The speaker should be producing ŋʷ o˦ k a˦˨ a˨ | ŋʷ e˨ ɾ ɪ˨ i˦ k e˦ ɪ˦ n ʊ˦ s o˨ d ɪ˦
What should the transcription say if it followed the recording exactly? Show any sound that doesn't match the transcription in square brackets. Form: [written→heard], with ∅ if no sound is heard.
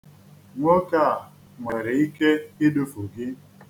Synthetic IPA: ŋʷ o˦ k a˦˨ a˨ | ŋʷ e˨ ɾ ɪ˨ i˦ k e˦ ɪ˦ [n→d] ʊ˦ [s→f] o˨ [d→ɡ] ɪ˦